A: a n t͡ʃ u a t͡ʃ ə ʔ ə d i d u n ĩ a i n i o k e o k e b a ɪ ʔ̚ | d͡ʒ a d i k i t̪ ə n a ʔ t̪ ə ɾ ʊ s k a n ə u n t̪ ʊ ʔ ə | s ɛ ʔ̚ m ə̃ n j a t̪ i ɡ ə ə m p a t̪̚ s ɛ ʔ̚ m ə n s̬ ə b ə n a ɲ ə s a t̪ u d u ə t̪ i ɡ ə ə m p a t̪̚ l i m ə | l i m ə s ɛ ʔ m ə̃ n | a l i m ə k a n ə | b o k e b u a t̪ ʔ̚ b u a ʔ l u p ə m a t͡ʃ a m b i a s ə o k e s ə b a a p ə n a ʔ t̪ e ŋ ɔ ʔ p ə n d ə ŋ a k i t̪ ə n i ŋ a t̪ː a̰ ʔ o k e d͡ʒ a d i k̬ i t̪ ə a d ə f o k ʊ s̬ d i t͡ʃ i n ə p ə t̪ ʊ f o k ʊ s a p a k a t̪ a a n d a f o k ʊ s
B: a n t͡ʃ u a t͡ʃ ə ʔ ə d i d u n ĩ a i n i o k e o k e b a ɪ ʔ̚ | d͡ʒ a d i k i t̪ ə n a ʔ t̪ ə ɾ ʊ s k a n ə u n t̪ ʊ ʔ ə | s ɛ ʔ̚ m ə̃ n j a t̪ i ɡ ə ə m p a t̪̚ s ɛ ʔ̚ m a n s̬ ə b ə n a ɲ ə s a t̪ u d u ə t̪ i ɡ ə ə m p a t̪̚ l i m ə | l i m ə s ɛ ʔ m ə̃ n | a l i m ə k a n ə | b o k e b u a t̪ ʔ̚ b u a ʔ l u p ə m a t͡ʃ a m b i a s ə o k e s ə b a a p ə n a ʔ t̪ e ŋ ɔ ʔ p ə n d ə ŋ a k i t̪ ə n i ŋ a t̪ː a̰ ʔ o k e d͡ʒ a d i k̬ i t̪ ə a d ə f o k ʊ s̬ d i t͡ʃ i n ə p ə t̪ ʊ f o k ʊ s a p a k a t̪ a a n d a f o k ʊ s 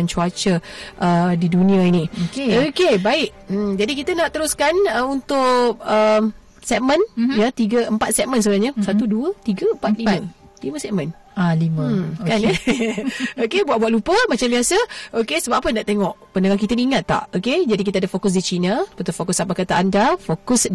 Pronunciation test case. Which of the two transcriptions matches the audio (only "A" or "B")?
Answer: A